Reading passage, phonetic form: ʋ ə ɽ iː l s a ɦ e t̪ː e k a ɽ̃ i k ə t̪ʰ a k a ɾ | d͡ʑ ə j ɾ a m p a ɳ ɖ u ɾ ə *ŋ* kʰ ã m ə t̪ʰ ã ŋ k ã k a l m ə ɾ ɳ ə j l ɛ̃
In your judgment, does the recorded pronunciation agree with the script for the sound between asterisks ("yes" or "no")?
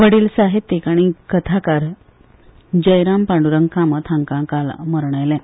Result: yes